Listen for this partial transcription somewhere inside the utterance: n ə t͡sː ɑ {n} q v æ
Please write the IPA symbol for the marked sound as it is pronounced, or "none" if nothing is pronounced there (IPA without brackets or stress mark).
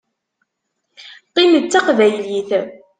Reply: none